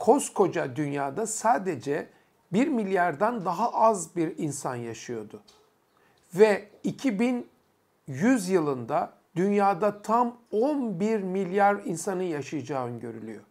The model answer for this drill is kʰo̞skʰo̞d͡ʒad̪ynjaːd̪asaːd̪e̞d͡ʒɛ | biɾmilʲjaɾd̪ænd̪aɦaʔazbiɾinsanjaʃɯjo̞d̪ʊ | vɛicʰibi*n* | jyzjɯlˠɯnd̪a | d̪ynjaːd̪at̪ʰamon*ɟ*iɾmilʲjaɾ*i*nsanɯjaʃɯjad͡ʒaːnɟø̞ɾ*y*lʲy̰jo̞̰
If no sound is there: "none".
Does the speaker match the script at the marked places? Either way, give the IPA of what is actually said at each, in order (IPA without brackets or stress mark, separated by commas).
n, b, i, y